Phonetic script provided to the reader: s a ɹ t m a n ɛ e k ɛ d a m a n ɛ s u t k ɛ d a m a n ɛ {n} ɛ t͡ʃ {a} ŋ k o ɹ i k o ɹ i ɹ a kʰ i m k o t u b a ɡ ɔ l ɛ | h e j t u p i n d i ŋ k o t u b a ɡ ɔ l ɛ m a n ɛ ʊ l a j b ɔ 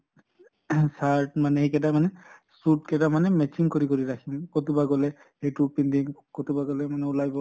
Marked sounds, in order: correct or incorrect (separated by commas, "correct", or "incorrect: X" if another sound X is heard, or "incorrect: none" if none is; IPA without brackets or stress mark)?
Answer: incorrect: m, incorrect: i